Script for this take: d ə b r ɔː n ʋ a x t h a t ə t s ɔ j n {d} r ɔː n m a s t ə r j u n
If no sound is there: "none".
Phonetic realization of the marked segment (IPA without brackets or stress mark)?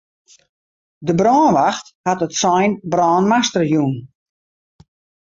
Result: b